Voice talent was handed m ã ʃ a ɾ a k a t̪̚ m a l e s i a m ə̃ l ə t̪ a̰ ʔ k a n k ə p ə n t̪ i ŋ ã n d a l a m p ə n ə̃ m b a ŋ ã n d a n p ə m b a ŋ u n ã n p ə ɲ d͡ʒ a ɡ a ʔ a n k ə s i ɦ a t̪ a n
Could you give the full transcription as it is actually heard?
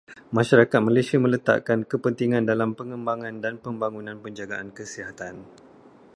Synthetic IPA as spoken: m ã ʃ a ɾ a k a t̪̚ m a l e s i a m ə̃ l ə t̪ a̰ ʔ k a n k ə p ə n t̪ i ŋ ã n d a l a m p ə ŋ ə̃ m b a ŋ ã n d a n p ə m b a ŋ u n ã n p ə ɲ d͡ʒ a ɡ a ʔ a n k ə s i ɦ a t̪ a n